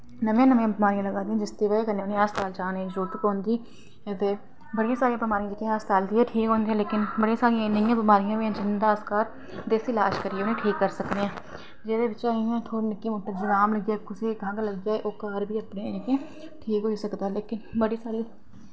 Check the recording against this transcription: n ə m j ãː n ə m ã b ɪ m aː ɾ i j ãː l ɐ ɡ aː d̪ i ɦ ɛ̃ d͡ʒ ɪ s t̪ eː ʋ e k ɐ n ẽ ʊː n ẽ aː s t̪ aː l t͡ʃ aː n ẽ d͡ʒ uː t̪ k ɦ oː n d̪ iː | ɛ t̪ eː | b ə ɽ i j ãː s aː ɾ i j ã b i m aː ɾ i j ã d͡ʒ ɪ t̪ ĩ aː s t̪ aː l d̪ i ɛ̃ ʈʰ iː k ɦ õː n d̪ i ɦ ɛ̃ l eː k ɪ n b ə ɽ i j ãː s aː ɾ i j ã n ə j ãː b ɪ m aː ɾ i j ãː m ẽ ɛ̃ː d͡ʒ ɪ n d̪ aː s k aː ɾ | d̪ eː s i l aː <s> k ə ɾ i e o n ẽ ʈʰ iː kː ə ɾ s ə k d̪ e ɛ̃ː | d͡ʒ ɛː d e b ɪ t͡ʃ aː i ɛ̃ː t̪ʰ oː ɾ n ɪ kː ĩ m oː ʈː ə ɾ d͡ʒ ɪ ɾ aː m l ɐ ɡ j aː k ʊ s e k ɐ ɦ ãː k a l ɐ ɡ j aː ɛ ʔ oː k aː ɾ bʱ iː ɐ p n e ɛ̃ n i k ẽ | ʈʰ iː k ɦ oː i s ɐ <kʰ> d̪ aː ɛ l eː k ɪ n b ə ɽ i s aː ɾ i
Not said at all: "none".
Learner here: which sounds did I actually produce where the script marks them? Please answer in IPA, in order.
ʃ, k

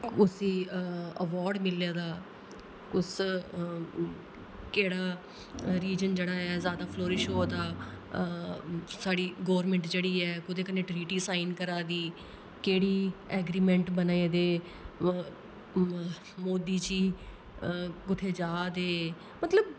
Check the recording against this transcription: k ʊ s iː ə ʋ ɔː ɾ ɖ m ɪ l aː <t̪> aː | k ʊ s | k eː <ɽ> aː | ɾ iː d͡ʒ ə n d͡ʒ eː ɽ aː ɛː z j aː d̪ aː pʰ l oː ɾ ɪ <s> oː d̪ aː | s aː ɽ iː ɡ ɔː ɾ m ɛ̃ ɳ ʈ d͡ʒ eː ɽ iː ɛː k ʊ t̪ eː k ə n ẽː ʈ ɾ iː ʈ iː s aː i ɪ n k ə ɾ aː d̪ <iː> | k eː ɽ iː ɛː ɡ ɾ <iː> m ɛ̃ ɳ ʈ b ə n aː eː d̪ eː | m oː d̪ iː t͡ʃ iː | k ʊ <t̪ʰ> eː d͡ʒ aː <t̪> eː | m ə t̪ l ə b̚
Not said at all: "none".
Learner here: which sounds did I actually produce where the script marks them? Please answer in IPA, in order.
d̪, ɽ, ʃ, iː, iː, t̪ʰ, d̪

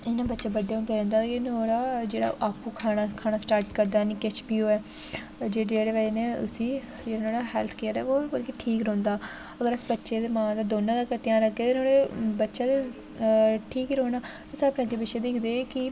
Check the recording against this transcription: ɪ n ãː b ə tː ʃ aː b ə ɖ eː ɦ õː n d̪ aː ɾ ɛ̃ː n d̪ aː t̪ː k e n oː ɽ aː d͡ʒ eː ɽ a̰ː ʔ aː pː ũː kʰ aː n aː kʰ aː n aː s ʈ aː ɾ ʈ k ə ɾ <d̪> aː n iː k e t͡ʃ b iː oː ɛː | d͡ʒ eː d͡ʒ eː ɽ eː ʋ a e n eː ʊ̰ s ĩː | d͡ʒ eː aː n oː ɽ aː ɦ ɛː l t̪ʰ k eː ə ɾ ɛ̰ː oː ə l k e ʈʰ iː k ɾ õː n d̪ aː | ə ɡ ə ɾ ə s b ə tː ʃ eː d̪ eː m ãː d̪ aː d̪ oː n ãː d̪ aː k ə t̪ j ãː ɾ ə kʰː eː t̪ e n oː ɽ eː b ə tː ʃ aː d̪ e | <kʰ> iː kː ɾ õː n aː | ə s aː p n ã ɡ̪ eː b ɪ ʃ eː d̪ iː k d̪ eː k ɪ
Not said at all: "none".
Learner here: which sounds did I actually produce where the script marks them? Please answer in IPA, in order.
d̪, ʈʰ

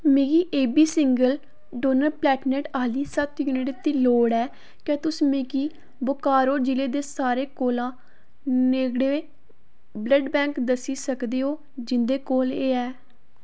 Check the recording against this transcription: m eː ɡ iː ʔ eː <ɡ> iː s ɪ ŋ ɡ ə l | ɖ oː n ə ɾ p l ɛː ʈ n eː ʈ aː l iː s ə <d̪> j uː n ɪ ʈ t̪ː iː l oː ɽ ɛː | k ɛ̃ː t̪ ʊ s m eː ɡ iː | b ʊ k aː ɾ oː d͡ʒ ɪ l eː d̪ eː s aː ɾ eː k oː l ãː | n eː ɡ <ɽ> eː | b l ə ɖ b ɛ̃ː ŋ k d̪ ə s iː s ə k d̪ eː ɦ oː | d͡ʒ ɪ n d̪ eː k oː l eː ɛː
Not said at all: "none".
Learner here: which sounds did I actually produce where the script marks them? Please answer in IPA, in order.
b, t̪, ɽ

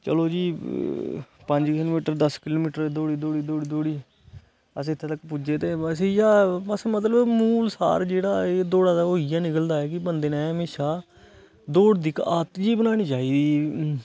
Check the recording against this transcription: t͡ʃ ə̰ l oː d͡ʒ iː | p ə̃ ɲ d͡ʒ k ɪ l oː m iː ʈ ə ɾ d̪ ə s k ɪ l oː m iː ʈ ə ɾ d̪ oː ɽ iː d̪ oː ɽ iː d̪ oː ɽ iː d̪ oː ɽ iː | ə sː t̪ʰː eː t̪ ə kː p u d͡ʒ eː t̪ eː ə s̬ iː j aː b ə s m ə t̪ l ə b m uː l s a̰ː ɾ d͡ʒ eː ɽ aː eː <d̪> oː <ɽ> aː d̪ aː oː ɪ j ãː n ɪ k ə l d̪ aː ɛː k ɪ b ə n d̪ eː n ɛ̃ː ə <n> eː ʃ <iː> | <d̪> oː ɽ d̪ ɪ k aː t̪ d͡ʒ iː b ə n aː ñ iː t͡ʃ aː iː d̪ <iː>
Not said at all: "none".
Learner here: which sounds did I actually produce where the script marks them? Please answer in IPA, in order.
d̪, ɽ, m, aː, d̪, iː

